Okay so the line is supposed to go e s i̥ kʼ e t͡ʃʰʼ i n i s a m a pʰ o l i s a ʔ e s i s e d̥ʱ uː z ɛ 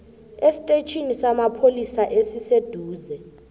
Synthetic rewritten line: e s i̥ tʼ e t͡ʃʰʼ i n i s a m a pʰ o l i s a ʔ e s i s e d̥ʱ uː z ɛ